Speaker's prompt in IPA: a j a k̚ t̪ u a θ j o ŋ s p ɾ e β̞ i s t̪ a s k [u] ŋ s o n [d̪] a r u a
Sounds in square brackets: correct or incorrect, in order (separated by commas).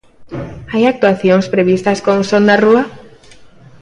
incorrect, correct